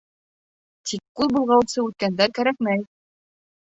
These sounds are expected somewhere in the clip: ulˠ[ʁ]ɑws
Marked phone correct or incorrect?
correct